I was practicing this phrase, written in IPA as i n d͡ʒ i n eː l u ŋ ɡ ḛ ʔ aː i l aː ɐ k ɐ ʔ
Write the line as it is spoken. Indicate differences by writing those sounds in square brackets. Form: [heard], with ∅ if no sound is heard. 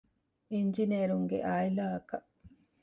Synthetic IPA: i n d͡ʒ i n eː [ɾ] u ŋ ɡ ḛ ʔ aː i l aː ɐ k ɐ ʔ